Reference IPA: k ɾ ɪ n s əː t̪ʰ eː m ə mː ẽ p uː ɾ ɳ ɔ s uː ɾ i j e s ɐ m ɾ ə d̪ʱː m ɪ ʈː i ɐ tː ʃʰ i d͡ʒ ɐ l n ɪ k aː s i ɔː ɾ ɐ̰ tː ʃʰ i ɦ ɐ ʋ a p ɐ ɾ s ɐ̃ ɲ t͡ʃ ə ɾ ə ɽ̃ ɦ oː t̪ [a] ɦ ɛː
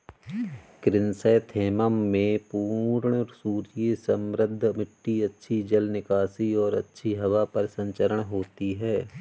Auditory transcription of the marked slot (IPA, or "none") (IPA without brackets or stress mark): i